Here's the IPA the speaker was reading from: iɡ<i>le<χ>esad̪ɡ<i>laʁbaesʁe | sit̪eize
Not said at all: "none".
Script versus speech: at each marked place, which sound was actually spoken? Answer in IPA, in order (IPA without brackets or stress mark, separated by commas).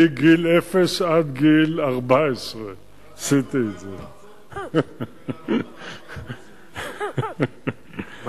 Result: i, f, i